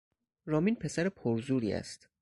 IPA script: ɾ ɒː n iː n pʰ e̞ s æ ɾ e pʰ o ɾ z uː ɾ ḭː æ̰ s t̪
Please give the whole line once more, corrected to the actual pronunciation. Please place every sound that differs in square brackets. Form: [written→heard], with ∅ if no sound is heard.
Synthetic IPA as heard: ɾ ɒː [n→m] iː n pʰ e̞ s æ ɾ e pʰ o ɾ z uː ɾ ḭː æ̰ s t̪